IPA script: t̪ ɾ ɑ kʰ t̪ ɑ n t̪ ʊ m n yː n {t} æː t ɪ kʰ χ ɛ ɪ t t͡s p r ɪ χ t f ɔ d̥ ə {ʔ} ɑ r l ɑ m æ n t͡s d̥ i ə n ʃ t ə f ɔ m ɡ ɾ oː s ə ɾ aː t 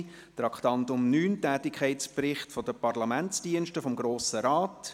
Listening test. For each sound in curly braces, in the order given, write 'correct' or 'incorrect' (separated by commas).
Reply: correct, incorrect